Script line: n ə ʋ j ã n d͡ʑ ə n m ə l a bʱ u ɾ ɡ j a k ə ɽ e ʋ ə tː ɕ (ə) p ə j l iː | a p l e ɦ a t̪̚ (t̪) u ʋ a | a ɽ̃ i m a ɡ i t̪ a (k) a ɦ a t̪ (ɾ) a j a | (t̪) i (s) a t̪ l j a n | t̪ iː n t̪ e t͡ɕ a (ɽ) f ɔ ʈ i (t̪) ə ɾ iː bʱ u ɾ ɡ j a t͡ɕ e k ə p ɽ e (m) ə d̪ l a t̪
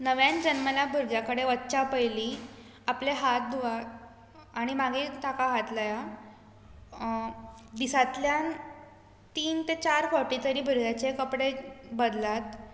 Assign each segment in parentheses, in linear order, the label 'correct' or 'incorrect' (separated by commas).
incorrect, incorrect, correct, incorrect, incorrect, correct, incorrect, correct, incorrect